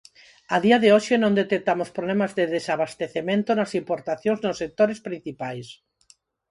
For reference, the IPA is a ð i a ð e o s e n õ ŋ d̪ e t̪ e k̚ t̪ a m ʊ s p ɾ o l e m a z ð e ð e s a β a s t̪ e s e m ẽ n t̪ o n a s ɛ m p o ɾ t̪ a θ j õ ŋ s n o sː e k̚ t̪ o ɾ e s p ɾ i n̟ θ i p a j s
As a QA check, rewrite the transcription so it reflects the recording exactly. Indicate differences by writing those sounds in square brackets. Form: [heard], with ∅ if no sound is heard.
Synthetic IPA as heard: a ð i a ð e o [ʃ] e n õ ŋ d̪ e t̪ e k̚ t̪ a m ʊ s p ɾ o l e m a z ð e ð e s a β a s t̪ e [θ] e m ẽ n t̪ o n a s [i] m p o ɾ t̪ a θ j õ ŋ [z] n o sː e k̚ t̪ o ɾ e s p ɾ i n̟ θ i p a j s